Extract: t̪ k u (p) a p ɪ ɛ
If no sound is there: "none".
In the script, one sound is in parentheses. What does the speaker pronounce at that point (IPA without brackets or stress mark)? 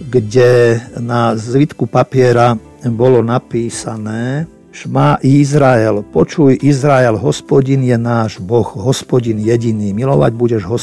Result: p